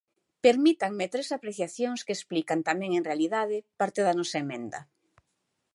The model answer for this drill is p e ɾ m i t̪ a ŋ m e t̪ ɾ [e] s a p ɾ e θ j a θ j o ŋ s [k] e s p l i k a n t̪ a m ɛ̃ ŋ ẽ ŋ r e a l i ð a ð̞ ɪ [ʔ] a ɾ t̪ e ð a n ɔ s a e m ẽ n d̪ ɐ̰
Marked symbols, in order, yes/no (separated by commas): yes, yes, no